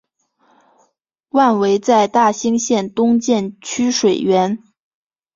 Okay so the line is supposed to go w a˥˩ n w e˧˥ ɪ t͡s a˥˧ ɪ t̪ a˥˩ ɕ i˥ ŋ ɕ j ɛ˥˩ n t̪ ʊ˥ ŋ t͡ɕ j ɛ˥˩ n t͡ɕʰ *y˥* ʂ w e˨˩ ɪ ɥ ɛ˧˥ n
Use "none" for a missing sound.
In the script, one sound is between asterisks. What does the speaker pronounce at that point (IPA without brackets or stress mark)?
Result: y˥